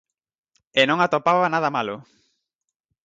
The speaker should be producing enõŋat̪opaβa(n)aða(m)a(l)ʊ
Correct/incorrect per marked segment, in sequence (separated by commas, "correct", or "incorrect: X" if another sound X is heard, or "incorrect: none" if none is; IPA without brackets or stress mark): correct, correct, correct